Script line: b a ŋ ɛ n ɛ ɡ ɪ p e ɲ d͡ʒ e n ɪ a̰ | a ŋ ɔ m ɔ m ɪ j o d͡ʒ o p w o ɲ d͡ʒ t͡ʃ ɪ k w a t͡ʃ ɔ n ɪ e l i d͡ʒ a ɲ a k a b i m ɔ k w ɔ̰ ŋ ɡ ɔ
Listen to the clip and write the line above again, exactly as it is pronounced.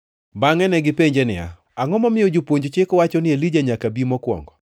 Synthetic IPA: b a ŋ ɛ n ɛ ɡ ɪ p e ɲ d͡ʒ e n ɪ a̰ | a ŋ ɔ m ɔ m ɪ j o d͡ʒ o p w o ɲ d͡ʒ t͡ʃ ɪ k w a t͡ʃ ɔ n ɪ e l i d͡ʒ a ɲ a k a b i m ɔ k w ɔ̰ ŋ ɡ ɔ